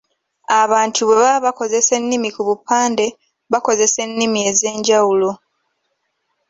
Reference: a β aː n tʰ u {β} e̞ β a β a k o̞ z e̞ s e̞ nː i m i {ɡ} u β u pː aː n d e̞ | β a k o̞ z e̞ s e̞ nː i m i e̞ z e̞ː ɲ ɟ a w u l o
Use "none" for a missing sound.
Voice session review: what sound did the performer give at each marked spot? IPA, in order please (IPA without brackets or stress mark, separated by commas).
β, k